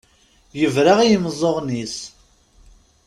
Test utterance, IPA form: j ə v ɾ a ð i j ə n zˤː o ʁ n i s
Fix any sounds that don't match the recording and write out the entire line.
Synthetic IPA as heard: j ə v ɾ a ʁ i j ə m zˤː o ʁ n i s